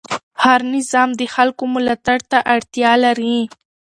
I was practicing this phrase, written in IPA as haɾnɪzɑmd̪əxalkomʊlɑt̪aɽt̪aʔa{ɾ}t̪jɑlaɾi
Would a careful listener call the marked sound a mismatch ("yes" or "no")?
yes